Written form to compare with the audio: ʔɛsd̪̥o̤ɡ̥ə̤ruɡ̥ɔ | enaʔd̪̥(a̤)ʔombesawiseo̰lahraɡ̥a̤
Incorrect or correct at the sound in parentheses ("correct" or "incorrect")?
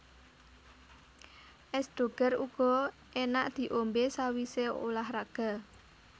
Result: incorrect